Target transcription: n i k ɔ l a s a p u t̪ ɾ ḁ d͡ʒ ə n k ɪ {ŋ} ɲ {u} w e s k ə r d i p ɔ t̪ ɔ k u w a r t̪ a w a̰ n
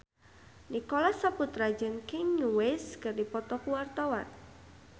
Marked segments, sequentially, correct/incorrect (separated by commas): correct, correct